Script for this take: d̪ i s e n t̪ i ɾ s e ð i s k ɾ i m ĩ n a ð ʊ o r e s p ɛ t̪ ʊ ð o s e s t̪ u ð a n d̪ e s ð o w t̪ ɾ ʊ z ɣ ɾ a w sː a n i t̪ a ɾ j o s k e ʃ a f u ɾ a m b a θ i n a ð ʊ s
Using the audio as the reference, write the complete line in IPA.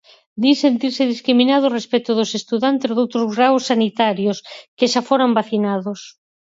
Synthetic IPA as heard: d̪ i s e n t̪ i ɾ s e ð i s k ɾ i m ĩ n a ð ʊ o r e s p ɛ t̪ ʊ ð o s e s t̪ u ð a n t̪ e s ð o w t̪ ɾ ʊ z ɣ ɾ a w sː a n i t̪ a ɾ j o s k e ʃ a f o ɾ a m b a θ i n a ð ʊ s